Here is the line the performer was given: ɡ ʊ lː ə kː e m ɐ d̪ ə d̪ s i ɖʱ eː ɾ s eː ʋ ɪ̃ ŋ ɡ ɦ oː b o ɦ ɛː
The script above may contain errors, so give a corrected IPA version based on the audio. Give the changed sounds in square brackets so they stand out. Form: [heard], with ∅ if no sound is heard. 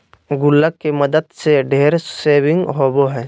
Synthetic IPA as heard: ɡ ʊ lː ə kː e m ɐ d̪ ə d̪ s [e] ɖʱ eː ɾ s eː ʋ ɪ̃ ŋ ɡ ɦ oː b o ɦ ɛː